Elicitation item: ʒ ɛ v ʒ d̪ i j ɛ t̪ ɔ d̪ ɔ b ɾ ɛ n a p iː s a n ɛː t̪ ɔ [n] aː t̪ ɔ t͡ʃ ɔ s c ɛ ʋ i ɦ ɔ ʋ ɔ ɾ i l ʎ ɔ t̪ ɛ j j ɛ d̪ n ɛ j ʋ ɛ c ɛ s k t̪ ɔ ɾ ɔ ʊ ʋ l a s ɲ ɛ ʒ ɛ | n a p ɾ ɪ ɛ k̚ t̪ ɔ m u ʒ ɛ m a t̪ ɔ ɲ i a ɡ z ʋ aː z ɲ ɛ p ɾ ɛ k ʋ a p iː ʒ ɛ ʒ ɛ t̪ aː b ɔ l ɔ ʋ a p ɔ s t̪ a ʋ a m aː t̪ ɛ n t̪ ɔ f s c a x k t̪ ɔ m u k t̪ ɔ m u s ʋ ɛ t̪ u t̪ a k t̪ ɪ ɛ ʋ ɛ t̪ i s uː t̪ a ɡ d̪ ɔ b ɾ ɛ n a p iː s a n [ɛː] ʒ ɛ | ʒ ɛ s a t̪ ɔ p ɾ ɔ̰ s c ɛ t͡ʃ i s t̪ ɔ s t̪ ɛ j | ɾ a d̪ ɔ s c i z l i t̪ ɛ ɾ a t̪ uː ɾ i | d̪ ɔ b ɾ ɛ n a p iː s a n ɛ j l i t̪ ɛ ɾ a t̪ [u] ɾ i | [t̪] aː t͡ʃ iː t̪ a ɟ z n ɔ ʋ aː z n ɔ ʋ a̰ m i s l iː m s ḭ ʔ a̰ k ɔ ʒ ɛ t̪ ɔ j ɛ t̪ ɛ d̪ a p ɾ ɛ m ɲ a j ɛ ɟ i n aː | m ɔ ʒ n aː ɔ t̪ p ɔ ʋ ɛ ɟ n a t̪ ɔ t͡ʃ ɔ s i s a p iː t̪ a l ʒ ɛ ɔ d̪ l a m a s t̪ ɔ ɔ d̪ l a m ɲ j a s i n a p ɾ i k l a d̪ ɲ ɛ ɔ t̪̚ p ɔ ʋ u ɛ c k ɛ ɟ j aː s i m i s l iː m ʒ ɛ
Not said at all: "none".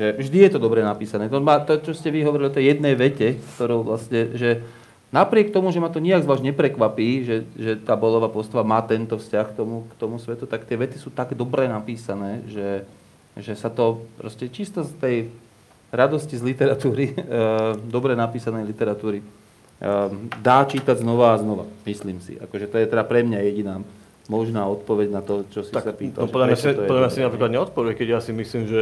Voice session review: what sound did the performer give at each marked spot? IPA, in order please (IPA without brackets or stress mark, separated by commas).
m, ɛː, uː, d̪